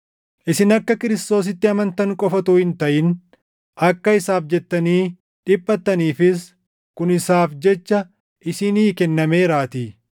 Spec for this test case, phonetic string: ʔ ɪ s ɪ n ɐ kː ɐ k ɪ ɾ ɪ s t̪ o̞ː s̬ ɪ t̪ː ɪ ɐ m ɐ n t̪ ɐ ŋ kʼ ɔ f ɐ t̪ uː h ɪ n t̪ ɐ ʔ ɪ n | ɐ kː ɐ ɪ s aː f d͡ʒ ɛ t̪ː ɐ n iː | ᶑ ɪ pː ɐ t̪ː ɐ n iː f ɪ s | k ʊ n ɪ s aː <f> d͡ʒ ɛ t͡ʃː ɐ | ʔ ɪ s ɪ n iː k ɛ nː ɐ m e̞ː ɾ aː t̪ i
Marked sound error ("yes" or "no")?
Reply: no